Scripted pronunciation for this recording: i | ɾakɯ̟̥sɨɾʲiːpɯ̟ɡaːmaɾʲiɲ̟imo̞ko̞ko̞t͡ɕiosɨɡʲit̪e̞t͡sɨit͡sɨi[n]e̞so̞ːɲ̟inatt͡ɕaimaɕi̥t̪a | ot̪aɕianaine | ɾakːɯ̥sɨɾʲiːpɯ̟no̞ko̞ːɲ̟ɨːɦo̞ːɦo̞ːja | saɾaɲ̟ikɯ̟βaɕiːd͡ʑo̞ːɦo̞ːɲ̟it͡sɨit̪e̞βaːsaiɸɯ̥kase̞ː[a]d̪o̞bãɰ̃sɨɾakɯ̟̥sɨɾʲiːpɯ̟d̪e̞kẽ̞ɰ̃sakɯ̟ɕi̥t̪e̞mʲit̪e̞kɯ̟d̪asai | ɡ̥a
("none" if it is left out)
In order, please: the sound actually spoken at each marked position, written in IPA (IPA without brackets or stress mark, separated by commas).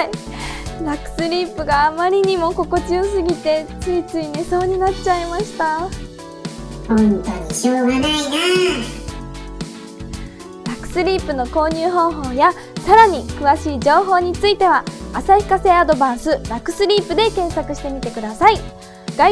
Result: n, a